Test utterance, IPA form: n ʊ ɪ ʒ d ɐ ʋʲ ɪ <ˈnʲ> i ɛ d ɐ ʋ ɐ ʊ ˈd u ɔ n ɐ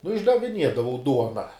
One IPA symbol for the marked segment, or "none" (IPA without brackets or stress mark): nʲ